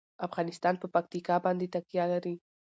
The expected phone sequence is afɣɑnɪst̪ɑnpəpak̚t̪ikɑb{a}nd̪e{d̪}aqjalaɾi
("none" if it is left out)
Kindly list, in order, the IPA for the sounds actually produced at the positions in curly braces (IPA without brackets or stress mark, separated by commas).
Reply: ɑ, t̪